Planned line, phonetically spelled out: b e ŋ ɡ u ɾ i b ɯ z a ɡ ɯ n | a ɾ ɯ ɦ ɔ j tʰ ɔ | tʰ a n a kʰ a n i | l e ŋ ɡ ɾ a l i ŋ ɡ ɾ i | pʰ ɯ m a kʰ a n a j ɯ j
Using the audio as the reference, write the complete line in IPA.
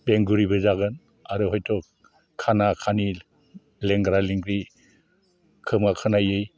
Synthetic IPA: b e ŋ ɡ u ɾ i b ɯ z a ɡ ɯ n | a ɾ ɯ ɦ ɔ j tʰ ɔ | kʰ a n a kʰ a n i | l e ŋ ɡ ɾ a l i ŋ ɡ ɾ i | kʰ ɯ m a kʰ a n a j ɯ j